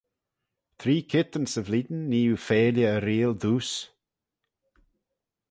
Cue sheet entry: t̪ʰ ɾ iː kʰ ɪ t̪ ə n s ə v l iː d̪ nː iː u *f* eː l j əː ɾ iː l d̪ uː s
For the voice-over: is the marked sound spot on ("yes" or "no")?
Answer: yes